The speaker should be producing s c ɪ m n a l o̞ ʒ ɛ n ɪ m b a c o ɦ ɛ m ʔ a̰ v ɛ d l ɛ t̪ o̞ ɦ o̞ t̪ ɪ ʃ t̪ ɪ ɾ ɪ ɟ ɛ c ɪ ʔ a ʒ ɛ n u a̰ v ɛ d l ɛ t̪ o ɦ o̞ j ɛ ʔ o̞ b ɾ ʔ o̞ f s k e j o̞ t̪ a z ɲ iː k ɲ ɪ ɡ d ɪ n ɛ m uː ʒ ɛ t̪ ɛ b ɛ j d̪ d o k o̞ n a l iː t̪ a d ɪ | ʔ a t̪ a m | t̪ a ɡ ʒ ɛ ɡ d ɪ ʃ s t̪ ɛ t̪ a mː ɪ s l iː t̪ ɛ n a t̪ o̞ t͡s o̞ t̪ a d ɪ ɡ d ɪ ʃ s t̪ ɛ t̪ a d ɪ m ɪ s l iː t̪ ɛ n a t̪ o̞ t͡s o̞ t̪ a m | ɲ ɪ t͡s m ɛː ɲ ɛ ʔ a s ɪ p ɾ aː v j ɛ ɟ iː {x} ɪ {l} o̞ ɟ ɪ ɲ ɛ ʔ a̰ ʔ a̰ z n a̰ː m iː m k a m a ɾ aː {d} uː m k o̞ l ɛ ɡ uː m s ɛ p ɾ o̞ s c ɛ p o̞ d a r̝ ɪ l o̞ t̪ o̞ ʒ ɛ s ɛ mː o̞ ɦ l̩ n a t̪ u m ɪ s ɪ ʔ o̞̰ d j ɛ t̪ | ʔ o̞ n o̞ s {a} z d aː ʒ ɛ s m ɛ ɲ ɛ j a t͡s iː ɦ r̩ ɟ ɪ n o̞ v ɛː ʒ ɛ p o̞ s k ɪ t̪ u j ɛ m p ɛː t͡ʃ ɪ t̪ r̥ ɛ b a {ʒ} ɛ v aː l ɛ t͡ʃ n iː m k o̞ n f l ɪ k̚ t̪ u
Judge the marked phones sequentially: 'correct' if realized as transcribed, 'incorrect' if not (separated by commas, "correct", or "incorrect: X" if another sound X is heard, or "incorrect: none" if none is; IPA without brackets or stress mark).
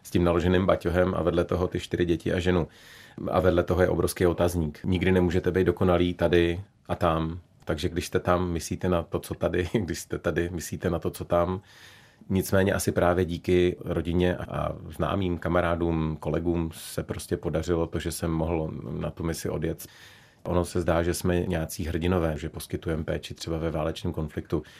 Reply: incorrect: k, incorrect: ɾ, correct, incorrect: ɛ, incorrect: v